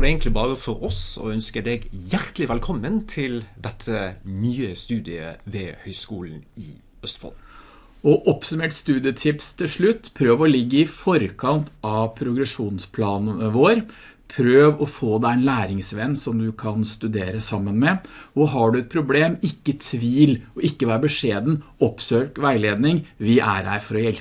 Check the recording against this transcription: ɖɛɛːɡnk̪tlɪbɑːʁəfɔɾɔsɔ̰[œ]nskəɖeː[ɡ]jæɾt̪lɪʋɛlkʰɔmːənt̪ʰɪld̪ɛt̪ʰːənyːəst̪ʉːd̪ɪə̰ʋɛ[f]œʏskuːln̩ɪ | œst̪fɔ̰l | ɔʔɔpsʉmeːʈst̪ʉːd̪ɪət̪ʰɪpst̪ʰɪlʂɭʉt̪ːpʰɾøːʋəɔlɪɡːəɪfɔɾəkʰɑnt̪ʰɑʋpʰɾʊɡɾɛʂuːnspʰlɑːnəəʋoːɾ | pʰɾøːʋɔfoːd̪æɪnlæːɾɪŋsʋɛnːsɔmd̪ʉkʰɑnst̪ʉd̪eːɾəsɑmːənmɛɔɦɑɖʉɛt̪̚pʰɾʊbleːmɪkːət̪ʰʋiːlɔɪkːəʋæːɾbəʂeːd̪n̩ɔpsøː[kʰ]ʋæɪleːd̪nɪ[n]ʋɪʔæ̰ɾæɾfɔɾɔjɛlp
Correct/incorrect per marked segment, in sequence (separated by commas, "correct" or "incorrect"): correct, correct, incorrect, incorrect, incorrect